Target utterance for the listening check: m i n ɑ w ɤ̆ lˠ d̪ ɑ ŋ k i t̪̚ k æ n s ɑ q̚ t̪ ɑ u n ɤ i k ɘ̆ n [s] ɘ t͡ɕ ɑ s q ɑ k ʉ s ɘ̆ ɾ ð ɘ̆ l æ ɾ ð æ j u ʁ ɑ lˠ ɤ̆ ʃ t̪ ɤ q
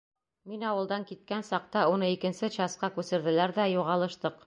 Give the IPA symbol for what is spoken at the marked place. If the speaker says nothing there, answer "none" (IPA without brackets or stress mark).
s